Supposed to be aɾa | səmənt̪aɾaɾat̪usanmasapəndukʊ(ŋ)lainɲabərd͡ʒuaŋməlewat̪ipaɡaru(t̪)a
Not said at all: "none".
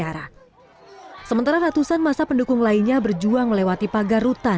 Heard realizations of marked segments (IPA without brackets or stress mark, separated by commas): ŋ, t̪